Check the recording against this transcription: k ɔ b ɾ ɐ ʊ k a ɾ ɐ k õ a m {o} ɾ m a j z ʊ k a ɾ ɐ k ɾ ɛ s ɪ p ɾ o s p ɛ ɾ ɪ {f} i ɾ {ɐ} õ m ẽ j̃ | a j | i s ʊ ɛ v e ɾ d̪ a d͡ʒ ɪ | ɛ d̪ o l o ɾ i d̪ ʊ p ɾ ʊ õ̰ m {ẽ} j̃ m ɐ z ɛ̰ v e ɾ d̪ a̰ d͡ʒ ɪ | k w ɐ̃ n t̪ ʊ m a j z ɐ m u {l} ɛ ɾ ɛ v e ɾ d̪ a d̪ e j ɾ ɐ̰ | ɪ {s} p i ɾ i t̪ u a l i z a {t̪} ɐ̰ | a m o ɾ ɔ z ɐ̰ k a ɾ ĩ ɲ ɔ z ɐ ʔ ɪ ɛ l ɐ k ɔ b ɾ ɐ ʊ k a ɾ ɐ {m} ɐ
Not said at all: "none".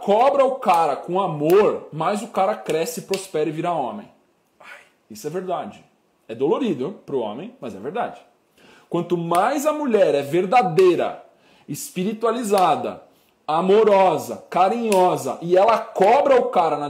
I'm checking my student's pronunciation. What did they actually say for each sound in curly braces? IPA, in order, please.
o, v, a, ẽ, ʎ, s, d̪, n

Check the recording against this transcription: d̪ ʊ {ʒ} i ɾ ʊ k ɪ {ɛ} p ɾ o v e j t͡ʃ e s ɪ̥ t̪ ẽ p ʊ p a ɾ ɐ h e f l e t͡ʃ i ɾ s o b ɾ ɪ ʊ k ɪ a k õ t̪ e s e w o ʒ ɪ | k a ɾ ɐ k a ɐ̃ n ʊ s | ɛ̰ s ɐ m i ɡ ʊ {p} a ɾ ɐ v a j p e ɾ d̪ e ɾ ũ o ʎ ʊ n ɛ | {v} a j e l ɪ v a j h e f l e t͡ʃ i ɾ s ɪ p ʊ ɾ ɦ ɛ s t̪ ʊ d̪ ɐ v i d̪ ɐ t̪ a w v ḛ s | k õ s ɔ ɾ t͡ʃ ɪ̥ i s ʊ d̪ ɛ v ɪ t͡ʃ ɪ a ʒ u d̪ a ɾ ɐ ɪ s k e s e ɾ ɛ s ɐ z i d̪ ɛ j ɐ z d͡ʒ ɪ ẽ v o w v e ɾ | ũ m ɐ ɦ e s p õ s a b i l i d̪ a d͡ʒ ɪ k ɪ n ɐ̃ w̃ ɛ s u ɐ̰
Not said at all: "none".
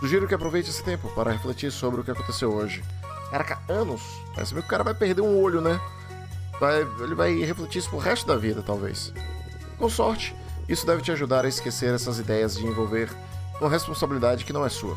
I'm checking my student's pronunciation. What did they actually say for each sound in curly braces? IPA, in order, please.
ʒ, a, k, v

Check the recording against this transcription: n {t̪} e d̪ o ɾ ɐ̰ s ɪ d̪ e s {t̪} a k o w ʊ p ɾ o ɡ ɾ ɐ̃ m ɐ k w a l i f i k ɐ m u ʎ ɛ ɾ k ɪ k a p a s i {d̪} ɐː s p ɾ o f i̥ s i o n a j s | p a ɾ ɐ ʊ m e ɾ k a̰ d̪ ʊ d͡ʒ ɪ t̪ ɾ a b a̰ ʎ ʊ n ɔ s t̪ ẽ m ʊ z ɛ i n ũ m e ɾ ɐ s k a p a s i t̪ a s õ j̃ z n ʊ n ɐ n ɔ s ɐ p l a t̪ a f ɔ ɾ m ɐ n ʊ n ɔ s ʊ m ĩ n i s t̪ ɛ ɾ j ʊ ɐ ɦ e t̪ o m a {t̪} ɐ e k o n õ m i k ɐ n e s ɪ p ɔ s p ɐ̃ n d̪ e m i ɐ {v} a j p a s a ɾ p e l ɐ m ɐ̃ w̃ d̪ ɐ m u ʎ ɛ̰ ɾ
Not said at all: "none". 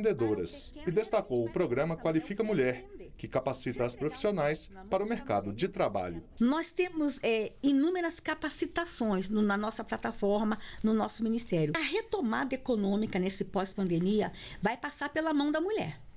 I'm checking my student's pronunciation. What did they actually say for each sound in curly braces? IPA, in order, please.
d̪, t̪, t̪, d̪, v

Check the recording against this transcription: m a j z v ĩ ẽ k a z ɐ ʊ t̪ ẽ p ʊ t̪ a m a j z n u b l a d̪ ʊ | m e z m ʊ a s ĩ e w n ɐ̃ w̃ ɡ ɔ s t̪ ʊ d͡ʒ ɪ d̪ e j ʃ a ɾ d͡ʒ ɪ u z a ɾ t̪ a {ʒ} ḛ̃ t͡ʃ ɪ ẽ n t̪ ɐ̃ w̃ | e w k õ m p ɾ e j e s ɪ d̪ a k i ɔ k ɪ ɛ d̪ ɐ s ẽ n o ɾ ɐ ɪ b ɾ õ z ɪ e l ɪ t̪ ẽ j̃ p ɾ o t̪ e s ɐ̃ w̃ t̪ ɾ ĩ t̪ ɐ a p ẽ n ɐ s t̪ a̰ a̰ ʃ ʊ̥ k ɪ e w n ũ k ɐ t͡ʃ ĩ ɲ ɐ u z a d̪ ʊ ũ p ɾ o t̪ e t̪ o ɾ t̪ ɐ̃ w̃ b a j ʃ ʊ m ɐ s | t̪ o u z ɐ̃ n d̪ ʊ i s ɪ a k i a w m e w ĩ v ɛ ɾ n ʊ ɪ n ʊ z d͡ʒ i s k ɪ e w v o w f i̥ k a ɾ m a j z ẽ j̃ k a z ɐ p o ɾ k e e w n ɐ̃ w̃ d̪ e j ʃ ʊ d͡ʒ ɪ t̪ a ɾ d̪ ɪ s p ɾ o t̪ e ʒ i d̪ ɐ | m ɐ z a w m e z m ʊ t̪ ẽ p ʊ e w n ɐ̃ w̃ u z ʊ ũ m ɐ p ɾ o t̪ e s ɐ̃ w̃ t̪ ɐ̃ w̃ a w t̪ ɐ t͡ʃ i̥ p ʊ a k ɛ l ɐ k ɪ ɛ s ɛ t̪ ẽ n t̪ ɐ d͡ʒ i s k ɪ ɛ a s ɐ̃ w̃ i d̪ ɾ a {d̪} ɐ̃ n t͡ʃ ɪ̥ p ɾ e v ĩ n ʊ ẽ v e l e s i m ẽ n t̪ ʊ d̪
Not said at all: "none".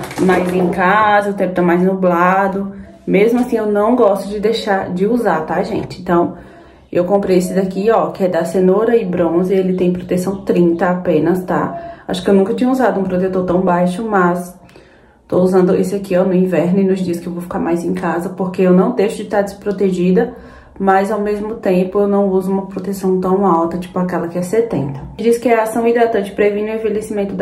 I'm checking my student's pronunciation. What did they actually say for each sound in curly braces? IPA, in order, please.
ʒ, t̪

